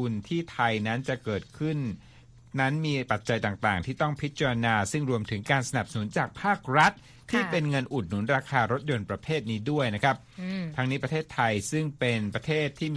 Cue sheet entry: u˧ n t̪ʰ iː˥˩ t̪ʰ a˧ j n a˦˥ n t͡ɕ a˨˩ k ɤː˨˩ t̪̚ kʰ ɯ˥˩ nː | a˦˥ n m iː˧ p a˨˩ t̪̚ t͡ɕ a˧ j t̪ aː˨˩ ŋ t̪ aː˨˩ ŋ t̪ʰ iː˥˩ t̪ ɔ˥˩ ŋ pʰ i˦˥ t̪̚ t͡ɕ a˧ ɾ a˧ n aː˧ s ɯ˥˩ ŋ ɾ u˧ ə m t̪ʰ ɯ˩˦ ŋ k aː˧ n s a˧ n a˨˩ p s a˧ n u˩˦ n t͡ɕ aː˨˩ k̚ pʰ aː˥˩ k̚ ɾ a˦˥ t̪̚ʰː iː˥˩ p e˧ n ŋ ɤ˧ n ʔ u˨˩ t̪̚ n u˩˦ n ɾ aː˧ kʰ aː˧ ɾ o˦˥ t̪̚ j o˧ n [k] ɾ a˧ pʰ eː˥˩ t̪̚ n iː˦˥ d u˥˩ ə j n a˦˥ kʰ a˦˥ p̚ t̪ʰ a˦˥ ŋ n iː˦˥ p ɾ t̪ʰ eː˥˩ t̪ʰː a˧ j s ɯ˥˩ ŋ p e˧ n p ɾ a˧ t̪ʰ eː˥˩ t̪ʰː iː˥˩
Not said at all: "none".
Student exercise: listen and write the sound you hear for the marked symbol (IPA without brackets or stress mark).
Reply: p